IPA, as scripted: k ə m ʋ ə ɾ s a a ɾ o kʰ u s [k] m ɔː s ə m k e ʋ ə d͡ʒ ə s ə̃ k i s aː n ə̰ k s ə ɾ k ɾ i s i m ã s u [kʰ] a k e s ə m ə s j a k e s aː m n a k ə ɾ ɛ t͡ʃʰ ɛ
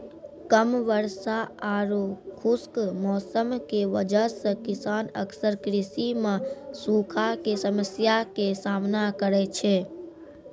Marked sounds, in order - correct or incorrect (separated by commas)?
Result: correct, correct